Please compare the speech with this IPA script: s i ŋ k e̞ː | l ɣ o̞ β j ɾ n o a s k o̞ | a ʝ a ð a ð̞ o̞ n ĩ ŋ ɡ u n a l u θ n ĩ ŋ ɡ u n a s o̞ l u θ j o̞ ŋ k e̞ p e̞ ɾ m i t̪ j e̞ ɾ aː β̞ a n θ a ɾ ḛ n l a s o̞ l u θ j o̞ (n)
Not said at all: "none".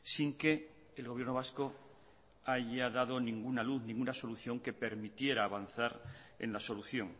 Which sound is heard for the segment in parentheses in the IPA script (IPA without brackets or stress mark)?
ŋ